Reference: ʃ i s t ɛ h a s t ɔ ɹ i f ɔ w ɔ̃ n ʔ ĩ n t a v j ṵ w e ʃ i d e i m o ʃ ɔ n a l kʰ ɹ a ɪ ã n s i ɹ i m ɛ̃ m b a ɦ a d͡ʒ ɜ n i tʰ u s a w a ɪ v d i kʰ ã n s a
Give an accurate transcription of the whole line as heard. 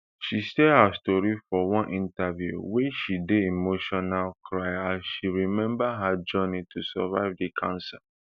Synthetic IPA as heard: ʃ i s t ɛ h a s t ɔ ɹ i f ɔ w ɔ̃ n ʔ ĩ n t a v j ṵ w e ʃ i d e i m o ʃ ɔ n a l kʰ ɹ a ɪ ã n ʃ i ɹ i m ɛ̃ m b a ɦ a d͡ʒ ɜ n i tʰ u s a v a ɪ v d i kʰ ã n s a